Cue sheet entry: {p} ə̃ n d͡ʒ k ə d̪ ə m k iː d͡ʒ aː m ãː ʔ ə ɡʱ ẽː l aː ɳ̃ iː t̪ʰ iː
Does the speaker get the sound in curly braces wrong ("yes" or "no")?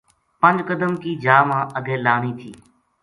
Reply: no